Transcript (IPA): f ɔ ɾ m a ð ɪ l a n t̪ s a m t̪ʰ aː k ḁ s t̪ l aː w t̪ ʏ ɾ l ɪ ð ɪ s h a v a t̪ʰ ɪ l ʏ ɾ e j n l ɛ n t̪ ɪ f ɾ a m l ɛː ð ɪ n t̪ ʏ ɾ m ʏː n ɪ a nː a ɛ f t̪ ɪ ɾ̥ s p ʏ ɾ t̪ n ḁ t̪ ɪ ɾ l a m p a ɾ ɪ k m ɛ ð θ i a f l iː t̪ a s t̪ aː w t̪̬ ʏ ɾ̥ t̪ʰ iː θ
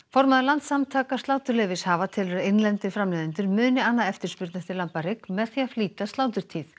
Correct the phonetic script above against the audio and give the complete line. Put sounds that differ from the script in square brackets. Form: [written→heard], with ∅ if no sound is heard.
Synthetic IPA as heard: f ɔ ɾ m a ð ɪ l a n t̪ s a m t̪ʰ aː k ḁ s t̪ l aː w t̪ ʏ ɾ l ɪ [ð→v] ɪ s h a v a t̪ʰ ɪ l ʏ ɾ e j n l ɛ n t̪ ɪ f ɾ a m l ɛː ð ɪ n t̪ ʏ ɾ m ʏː n ɪ a nː a ɛ f t̪ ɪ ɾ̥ s p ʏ ɾ t̪ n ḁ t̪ ɪ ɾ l a m p a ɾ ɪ k m ɛ ð θ i a f l iː t̪ a s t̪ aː w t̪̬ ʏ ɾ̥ t̪ʰ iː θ